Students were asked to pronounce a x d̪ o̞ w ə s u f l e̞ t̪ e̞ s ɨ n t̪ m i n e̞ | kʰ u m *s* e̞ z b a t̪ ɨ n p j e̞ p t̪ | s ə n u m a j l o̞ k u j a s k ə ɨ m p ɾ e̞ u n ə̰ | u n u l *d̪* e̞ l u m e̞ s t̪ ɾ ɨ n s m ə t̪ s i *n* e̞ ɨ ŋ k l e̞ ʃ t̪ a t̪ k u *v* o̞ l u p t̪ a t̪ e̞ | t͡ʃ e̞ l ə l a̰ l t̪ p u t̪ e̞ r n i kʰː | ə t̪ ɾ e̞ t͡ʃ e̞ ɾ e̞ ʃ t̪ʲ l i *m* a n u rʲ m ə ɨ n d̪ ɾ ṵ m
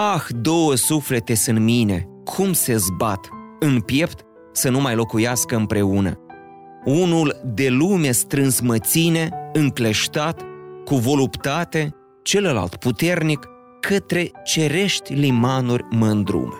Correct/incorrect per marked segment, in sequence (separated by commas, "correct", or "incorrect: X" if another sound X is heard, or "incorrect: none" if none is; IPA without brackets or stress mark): correct, correct, correct, correct, correct